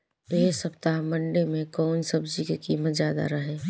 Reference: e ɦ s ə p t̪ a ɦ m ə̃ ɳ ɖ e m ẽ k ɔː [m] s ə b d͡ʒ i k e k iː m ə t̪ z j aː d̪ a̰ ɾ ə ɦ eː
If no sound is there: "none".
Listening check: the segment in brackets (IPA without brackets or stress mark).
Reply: n